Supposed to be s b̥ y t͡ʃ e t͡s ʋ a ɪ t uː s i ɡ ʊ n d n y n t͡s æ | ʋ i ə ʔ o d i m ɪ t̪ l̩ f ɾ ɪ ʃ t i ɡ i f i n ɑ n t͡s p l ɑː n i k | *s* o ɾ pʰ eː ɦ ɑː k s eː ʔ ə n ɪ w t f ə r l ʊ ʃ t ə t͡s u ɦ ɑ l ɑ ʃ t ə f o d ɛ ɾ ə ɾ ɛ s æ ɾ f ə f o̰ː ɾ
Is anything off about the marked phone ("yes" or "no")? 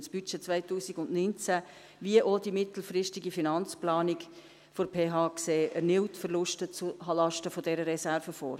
yes